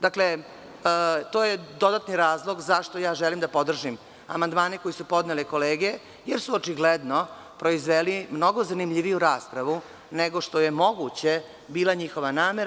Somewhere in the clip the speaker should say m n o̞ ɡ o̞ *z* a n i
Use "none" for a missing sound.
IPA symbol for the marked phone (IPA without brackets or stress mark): z